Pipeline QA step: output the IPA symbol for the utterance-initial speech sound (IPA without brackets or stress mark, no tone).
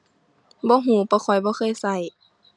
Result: b